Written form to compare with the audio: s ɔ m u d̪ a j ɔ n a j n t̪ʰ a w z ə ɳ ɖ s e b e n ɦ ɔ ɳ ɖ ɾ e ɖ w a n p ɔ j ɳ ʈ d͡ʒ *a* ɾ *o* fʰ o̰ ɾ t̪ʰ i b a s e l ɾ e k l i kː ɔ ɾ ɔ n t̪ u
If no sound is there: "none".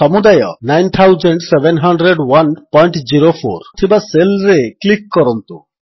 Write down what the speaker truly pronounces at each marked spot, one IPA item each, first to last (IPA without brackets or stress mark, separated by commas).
i, o